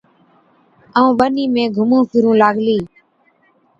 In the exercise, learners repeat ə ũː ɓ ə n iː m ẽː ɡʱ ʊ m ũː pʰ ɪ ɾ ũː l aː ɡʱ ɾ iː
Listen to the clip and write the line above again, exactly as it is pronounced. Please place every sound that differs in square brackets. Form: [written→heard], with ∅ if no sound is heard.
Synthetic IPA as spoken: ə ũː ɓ ə n iː m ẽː ɡʱ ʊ m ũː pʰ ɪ ɾ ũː l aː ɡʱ [ɾ→l] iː